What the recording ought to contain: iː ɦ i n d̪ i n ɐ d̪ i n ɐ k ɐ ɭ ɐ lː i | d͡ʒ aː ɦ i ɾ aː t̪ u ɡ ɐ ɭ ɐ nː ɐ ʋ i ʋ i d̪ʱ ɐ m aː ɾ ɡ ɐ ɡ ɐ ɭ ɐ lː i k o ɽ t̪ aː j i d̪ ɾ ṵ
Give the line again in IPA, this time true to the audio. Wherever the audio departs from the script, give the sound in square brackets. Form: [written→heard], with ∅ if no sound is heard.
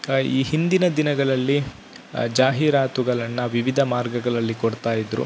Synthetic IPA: iː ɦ i n d̪ i n ɐ d̪ i n ɐ [k→ɡ] ɐ ɭ ɐ lː i | d͡ʒ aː ɦ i ɾ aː t̪ u ɡ ɐ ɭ ɐ nː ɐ ʋ i ʋ i d̪ʱ ɐ m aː ɾ ɡ ɐ ɡ ɐ ɭ ɐ lː i k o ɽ t̪ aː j i d̪ ɾ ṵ